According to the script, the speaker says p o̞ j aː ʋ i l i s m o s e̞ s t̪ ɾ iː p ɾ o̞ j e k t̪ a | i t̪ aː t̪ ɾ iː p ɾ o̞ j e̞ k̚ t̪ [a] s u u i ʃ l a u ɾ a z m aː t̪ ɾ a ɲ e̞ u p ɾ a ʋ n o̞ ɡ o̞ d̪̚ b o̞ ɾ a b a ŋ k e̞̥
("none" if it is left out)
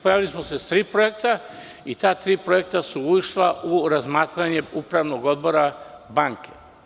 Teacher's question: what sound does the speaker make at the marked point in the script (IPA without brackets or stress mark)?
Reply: a